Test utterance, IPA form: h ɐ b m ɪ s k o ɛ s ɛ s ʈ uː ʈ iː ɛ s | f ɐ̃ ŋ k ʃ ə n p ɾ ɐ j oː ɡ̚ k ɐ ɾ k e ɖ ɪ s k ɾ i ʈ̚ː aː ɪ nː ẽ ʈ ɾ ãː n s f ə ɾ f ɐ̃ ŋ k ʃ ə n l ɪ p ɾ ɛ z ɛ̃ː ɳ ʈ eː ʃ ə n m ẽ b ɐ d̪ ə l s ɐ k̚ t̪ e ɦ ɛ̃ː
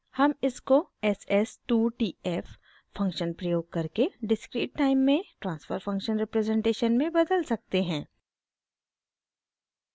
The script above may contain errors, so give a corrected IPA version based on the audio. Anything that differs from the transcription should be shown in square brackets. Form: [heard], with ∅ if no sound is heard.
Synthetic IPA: h ɐ [∅] m ɪ s k o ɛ s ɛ s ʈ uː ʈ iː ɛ [f] | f ɐ̃ ŋ k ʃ ə n p ɾ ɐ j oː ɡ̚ k ɐ ɾ k e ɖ ɪ s k ɾ [iː] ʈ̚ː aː ɪ [mː] ẽ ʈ ɾ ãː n s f ə ɾ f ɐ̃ ŋ k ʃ ə n [ɾ] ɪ p ɾ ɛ z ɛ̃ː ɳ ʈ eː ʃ ə n m ẽ b ɐ d̪ ə l s ɐ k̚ t̪ e ɦ ɛ̃ː